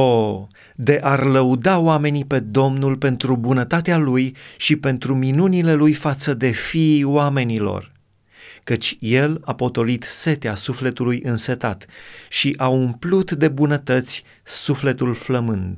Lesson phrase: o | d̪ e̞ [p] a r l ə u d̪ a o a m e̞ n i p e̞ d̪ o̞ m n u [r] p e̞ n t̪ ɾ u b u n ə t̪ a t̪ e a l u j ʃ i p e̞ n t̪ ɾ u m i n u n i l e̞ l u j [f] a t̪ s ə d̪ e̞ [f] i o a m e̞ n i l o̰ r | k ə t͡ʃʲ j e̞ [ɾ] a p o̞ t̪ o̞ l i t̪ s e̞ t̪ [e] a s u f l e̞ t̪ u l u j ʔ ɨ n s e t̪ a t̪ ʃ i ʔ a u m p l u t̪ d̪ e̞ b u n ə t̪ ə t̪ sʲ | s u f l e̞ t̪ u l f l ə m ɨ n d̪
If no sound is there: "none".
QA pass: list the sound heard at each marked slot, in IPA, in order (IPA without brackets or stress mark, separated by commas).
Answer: ʔ, l, f, f, l, e